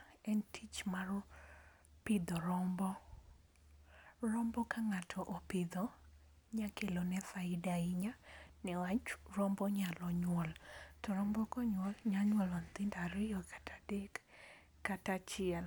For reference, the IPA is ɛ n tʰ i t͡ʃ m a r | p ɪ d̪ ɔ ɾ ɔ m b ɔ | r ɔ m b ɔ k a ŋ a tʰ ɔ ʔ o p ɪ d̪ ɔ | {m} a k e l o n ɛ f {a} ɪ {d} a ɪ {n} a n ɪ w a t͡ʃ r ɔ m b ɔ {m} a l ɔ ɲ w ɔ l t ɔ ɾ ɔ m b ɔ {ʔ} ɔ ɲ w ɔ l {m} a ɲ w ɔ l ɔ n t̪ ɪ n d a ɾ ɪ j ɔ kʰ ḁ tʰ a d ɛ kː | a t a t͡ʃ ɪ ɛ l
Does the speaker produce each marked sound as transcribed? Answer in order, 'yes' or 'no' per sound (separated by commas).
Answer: no, yes, yes, no, no, no, no